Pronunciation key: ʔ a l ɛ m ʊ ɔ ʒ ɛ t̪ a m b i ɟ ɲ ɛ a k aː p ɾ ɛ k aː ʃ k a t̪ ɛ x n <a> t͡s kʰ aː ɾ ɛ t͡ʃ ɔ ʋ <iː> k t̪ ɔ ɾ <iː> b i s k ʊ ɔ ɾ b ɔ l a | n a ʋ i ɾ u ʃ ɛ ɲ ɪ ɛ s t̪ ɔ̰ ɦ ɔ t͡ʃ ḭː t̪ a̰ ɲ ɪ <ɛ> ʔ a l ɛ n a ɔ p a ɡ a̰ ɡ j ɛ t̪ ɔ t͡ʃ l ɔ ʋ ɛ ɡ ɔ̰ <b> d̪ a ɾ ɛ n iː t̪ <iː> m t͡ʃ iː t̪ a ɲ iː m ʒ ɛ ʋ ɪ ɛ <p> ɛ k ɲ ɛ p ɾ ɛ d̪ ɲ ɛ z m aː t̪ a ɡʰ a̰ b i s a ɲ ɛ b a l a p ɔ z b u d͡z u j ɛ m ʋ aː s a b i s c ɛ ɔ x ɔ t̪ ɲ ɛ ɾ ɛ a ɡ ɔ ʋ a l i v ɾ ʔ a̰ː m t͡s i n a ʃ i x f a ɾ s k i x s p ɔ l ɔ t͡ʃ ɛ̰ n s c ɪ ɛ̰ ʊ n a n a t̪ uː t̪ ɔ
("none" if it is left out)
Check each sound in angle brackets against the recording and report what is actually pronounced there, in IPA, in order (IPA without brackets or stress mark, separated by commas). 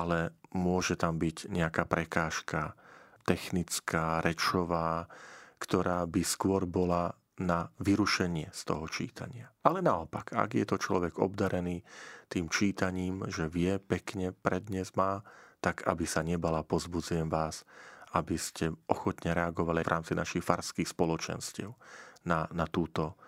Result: i, aː, aː, a, b, iː, p